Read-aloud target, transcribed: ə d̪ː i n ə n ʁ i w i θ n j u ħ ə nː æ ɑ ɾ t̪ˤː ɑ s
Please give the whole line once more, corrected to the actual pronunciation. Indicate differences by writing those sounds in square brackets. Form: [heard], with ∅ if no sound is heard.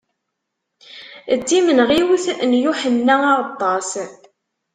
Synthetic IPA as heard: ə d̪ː i [m] ə n ʁ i w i θ n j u ħ ə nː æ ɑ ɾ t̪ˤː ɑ s